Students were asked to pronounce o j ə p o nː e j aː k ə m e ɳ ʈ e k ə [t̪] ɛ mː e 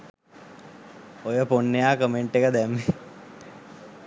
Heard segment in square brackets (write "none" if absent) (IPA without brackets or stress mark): d̪